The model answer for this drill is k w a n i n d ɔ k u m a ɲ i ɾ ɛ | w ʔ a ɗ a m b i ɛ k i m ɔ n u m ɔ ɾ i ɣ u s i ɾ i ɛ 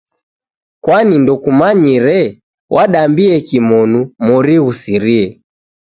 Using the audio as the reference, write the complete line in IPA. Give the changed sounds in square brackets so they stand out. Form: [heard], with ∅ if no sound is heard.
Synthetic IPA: k w a n i n d ɔ k u m a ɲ i ɾ ɛ | w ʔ a ɗ a m b i ɛ k i m ɔ n u m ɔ ɾ i ɣ u s i ɾ i ɛ